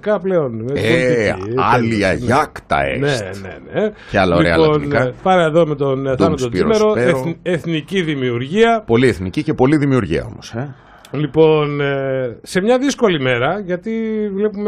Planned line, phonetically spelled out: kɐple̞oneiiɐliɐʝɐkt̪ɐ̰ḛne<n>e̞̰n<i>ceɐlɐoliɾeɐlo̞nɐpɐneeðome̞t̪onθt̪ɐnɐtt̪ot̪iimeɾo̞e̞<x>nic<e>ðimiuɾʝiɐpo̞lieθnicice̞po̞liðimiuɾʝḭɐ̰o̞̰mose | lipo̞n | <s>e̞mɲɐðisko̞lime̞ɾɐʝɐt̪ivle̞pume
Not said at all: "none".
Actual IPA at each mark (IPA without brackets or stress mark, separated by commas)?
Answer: n, e, θ, i, s